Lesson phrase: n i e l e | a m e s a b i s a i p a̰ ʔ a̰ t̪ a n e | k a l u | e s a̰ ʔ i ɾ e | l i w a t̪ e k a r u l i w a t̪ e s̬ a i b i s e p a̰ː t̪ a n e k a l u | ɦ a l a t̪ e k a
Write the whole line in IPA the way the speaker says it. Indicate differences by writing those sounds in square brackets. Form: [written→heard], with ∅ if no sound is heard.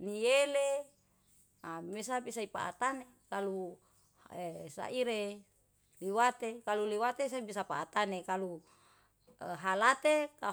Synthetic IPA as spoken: n i e l e | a m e s a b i s a i p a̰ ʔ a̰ t̪ a n e | k a l u | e s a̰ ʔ i ɾ e | l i w a t̪ e k a [r→l] u l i w a t̪ e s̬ a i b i s [e→a] p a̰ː t̪ a n e k a l u | ɦ a l a t̪ e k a